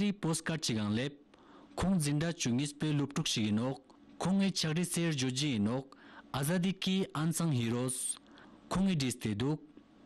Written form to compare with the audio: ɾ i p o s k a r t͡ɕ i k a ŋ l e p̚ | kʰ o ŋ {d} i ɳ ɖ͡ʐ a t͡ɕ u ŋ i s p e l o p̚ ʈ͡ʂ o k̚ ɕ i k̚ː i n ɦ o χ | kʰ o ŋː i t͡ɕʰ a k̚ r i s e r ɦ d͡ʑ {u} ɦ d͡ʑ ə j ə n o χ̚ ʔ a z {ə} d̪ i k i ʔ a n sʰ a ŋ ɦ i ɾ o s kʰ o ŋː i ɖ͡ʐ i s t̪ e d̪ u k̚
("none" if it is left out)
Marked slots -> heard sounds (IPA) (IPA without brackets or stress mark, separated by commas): d͡z, o, a